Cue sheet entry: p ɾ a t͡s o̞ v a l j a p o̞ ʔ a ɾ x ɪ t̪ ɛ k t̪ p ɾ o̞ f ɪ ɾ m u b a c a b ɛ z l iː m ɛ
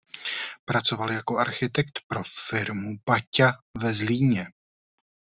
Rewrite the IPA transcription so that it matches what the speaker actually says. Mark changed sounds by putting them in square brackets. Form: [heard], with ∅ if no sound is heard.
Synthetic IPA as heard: p ɾ a t͡s o̞ v a l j a [k] o̞ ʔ a ɾ x ɪ t̪ ɛ k t̪ p ɾ o̞ f ɪ ɾ m u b a c a [v] ɛ z l iː [ɲ] ɛ

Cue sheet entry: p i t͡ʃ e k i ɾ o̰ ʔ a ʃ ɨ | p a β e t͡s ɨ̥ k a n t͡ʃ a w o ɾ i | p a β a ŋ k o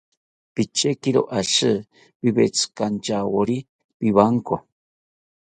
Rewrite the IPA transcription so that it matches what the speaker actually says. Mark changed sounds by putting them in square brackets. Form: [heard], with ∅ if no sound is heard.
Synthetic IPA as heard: p i t͡ʃ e k i ɾ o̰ ʔ a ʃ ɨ | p [i] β e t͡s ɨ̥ k a n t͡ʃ a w o ɾ i | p [i] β a ŋ k o

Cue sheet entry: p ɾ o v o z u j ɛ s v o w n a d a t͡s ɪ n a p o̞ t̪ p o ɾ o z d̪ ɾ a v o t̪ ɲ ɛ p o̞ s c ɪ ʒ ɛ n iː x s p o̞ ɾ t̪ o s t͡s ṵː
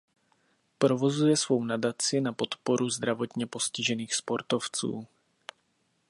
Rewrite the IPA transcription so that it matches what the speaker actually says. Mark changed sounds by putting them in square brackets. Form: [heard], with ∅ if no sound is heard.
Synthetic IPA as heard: p ɾ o v o z u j ɛ s v o w n a d a t͡s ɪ n a p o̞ t̪ p o ɾ [u] z d̪ ɾ a v o t̪ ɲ ɛ p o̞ s c ɪ ʒ ɛ n iː x s p o̞ ɾ t̪ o [f] t͡s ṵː

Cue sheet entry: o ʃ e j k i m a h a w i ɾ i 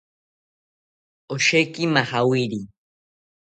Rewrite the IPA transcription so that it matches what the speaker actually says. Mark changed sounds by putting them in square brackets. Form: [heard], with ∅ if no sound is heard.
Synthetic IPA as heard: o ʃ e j k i m a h a w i ɾ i

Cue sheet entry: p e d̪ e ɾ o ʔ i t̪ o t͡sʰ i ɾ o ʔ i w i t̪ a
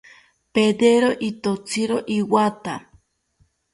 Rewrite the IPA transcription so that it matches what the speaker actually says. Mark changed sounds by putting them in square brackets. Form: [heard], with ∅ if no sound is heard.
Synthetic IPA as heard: p e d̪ e ɾ o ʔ i t̪ o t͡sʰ i ɾ o ʔ i w [a] t̪ a

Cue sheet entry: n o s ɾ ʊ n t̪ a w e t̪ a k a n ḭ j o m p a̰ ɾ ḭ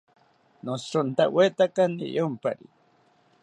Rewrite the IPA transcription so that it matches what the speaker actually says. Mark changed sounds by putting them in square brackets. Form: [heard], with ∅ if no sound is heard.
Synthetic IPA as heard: n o s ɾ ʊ n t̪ a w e t̪ a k a n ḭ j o m p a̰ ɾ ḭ

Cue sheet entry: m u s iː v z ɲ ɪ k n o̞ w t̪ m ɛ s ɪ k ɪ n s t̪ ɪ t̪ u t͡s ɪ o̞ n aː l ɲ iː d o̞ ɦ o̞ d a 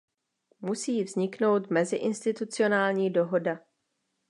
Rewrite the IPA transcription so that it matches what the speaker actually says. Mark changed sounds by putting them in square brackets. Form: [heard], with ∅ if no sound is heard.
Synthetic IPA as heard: m u s iː v z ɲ ɪ k n o̞ w t̪ m ɛ [z] ɪ [ʔ] ɪ n s t̪ ɪ t̪ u t͡s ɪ o̞ n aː l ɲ iː d o̞ ɦ o̞ d a

